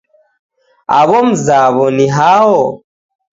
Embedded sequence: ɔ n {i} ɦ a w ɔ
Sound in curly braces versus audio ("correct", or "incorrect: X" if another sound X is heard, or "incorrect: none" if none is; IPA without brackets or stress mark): correct